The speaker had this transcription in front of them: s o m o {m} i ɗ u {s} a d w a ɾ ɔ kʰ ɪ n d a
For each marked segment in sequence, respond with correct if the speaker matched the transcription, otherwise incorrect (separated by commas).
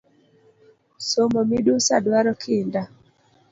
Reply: correct, correct